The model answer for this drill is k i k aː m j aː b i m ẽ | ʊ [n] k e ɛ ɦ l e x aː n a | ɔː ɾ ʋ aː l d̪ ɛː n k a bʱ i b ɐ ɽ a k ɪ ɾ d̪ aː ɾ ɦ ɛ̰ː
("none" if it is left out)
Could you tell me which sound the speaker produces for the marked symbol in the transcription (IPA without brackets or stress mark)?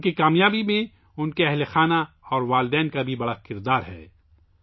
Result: n